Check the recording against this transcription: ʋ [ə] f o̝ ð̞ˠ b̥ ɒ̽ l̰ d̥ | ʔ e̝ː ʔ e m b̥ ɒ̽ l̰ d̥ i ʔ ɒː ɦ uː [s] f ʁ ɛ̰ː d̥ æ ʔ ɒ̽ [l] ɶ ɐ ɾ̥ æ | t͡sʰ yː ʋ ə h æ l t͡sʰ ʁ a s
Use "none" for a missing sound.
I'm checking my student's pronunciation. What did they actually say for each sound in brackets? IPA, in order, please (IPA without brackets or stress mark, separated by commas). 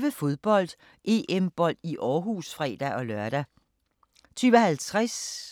ə, s, l